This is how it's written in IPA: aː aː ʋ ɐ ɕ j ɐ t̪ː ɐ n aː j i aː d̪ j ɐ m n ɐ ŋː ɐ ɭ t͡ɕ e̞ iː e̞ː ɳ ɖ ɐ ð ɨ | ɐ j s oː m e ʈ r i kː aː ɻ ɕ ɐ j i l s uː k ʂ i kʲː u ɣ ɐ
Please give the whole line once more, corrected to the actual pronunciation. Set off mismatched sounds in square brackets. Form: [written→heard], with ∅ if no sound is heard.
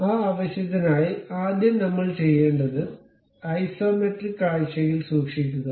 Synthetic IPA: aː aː ʋ ɐ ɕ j ɐ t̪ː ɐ n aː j i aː d̪ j ɐ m n ɐ [ŋː→mː] ɐ ɭ t͡ɕ e̞ [iː→jː] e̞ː ɳ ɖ ɐ ð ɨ | ɐ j s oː m e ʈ r i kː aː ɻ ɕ ɐ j i l s uː k ʂ i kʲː u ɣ ɐ